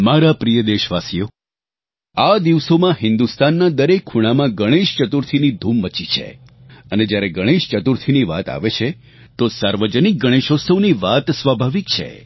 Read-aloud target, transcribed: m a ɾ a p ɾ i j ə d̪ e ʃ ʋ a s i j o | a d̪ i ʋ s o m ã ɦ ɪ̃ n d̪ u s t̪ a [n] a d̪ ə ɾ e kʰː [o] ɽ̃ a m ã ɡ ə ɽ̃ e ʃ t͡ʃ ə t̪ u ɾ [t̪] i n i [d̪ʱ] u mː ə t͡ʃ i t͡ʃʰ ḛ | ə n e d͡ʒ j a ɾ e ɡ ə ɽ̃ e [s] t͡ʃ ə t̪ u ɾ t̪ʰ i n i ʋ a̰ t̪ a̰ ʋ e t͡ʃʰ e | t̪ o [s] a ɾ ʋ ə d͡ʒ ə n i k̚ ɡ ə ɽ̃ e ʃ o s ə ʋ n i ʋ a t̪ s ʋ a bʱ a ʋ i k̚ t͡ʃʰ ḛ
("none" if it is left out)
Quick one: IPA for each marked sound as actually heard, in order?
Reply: nː, u, t̪ʰ, d̪ʱ, ʃ, s

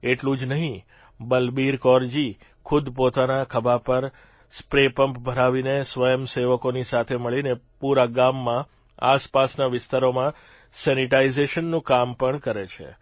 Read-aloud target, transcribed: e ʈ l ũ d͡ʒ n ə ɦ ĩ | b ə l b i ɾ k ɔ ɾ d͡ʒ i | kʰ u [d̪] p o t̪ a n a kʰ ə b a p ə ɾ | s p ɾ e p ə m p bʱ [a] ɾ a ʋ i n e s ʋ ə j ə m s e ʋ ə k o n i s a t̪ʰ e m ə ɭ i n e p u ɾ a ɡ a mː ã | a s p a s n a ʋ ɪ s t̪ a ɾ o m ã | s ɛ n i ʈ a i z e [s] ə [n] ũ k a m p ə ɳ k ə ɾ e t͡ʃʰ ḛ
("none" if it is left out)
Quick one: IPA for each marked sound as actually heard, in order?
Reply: d̪, ə, ʃ, nː

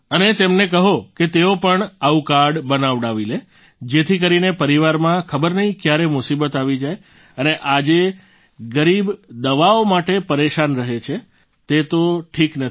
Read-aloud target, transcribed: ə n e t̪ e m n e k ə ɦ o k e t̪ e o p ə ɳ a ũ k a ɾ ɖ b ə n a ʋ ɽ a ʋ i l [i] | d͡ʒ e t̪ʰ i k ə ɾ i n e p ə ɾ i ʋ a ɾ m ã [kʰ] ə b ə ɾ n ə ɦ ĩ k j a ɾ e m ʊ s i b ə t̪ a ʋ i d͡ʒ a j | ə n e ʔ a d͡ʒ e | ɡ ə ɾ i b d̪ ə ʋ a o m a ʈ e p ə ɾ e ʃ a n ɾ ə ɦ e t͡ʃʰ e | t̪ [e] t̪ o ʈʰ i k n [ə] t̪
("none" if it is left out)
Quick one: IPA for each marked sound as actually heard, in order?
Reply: e, kʰ, e, ə

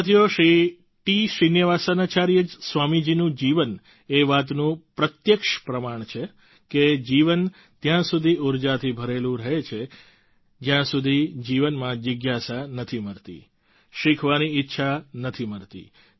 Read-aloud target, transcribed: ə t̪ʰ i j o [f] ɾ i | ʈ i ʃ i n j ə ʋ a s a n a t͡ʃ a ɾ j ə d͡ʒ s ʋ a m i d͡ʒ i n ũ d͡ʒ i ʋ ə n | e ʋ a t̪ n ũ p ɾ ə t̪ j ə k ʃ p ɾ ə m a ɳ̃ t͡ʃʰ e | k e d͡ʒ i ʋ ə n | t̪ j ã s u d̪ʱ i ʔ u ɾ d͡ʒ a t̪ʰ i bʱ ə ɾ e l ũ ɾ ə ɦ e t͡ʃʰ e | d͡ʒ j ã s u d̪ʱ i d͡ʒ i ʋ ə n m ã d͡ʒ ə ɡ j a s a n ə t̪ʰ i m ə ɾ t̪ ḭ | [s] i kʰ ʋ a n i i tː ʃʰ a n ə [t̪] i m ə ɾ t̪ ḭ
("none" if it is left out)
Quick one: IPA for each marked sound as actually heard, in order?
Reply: ʃ, ʃ, t̪ʰ

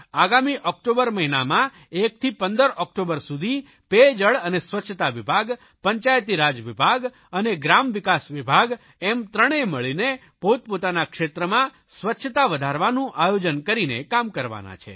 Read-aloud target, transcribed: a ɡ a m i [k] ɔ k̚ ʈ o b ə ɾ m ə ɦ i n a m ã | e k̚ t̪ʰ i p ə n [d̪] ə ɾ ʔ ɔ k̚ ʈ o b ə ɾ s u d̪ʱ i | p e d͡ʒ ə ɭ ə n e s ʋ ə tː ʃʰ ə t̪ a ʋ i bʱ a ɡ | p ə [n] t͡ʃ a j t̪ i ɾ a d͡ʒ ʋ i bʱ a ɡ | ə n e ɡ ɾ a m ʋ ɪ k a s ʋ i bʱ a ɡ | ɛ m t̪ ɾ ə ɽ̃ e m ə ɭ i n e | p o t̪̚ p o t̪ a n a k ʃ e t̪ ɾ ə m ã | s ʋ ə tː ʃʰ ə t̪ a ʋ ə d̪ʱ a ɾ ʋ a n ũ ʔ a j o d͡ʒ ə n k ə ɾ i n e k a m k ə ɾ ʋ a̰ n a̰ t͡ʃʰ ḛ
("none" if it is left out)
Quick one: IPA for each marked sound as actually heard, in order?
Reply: ʔ, d̪, ɲ

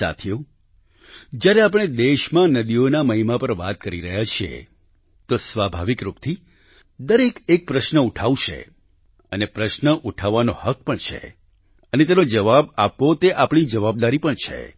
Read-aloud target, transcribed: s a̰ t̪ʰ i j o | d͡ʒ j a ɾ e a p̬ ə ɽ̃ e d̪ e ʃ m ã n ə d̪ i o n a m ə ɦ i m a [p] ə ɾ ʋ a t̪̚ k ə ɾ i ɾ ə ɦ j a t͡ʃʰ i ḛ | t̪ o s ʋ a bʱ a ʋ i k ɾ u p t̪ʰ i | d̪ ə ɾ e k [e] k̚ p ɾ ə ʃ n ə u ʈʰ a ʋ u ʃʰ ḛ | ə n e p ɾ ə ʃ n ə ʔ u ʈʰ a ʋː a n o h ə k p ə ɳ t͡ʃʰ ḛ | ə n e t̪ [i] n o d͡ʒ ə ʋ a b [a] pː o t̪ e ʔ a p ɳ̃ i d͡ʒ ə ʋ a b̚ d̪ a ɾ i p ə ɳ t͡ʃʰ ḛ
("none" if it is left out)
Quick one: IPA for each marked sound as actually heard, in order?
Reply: p, e, e, a

